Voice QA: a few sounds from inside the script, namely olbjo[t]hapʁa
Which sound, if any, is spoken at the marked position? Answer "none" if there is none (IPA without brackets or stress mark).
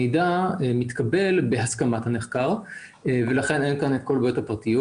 t